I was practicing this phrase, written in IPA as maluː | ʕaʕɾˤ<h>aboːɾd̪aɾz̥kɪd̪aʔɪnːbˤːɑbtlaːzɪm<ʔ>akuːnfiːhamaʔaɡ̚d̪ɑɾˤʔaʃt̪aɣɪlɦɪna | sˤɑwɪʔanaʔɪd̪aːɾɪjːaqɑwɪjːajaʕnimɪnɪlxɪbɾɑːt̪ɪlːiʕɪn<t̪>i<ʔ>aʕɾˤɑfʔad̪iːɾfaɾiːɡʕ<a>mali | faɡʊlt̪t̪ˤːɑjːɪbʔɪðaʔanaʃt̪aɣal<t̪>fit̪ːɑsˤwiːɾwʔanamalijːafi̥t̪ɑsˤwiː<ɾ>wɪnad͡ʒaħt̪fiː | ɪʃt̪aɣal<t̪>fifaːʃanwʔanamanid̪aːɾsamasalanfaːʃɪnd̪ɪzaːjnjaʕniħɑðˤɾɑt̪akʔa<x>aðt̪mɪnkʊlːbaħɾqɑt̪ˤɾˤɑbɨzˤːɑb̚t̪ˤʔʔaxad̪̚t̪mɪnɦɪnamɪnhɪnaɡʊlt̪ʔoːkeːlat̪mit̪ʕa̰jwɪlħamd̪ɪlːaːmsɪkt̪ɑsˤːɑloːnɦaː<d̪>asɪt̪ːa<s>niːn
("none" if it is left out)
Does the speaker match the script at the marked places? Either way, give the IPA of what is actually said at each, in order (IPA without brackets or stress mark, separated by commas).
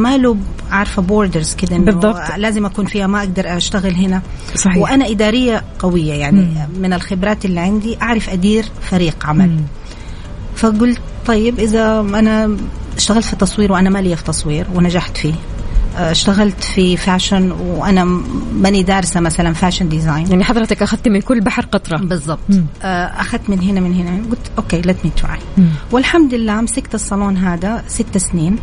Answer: f, ʔ, d̪, ʔ, a, t̪, ɾ, t̪, x, d̪, s